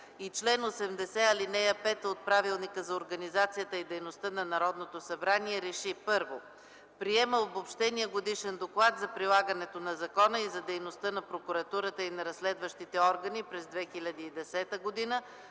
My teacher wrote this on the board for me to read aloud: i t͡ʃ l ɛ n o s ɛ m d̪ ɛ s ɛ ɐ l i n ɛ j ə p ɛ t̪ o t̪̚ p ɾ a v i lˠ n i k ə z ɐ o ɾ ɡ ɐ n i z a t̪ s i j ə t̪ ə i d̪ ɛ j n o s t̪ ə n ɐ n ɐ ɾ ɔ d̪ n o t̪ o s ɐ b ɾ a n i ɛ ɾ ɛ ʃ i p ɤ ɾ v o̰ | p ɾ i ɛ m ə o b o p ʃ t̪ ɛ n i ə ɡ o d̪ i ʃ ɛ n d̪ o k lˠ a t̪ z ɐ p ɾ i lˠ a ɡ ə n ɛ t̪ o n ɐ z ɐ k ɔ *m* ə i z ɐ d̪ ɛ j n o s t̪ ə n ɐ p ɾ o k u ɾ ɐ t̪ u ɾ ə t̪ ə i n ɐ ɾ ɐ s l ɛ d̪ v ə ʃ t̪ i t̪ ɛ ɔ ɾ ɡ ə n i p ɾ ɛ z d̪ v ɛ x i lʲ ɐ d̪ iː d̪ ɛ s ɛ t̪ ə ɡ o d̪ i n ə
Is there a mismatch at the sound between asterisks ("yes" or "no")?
yes